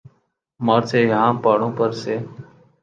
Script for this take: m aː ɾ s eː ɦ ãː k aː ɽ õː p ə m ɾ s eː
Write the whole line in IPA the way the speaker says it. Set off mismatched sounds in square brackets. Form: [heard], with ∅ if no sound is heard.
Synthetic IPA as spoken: m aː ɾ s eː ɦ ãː [p] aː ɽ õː p ə [∅] ɾ s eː